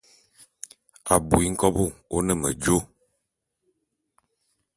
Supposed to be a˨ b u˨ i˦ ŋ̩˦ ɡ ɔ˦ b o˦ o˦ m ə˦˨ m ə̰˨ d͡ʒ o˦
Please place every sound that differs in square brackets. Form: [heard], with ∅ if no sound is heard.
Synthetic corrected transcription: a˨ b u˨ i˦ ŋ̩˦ [k] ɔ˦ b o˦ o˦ [n] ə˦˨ m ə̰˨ d͡ʒ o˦